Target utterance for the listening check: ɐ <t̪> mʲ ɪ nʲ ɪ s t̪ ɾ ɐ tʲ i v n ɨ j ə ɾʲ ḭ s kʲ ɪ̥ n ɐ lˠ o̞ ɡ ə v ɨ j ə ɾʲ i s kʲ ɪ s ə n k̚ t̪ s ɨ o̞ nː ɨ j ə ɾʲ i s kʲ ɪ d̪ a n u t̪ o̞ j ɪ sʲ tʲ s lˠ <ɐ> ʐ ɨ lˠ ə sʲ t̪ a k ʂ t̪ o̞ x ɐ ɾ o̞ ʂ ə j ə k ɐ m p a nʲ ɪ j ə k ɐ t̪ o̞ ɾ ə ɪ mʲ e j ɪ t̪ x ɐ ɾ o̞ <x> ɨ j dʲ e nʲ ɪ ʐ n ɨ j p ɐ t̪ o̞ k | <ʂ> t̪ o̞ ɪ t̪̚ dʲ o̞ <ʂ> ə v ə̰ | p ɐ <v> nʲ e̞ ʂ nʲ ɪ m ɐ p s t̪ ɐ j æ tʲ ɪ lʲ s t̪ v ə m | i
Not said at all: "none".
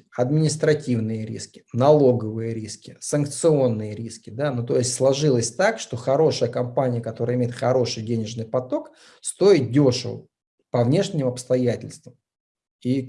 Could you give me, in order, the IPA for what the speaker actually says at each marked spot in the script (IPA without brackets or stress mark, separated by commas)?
d̪, ɐ, ʂ, s, ʂ, v